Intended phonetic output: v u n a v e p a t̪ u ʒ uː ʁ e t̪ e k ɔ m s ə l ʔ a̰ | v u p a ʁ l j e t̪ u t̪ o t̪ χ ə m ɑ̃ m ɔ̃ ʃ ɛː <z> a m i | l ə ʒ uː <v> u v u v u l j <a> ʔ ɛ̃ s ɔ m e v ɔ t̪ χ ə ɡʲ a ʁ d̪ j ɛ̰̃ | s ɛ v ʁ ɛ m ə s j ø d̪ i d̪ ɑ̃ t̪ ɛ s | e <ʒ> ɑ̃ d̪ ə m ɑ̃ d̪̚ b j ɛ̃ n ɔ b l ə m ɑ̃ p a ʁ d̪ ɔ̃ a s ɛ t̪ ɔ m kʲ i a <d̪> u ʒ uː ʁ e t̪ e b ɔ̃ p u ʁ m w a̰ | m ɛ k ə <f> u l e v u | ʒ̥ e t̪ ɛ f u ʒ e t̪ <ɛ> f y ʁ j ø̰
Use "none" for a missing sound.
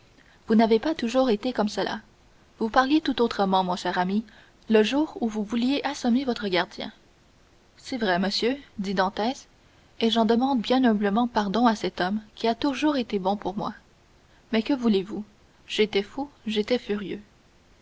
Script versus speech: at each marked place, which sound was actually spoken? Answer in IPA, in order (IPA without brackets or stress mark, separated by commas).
ʁ, ʁ, e, ʒ, t̪, v, ɛ